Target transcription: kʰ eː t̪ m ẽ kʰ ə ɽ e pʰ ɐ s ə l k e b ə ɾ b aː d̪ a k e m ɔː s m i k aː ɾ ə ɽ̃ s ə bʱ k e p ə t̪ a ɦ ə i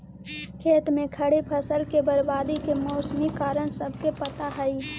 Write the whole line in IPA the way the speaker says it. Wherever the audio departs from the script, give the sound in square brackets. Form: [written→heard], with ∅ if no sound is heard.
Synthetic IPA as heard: kʰ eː t̪ m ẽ kʰ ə ɽ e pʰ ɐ s ə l k e b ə ɾ b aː d̪ [a→i] k e m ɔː s m i k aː ɾ ə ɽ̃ s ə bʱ k e p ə t̪ a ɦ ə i